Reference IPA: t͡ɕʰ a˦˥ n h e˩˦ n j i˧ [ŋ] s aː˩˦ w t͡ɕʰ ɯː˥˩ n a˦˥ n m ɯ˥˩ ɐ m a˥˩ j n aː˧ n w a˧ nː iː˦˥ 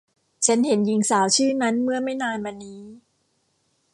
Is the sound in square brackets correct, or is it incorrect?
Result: correct